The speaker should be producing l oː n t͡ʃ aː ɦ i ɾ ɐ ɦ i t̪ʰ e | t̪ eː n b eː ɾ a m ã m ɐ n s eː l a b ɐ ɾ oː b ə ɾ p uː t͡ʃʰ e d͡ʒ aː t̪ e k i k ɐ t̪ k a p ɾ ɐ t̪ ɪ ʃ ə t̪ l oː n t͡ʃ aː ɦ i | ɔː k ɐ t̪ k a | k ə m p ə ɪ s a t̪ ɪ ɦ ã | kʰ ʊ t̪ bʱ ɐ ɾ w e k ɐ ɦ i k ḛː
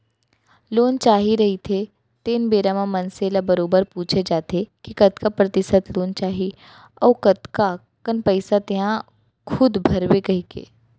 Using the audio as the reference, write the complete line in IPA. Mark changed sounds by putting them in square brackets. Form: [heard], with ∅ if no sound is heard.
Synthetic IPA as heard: l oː n t͡ʃ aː ɦ i ɾ ɐ ɦ i t̪ʰ e | t̪ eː n b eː ɾ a m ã m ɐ n s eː l a b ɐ ɾ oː b ə ɾ p uː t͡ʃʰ e d͡ʒ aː t̪ e k i k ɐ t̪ k a p ɾ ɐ t̪ ɪ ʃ ə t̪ l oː n t͡ʃ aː ɦ i | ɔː k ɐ t̪ k a | k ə [n] p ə ɪ s a t̪ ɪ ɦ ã | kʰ ʊ [d̪] bʱ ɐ ɾ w e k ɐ ɦ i k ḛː